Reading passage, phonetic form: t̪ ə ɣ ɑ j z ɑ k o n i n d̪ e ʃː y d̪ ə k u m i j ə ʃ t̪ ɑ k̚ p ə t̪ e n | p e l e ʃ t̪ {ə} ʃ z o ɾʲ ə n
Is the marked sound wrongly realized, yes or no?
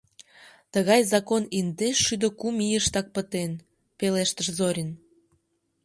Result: no